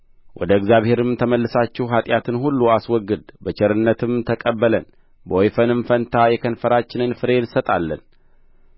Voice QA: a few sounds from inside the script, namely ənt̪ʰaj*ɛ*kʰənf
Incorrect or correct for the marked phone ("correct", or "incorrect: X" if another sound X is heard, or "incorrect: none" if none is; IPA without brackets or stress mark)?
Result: correct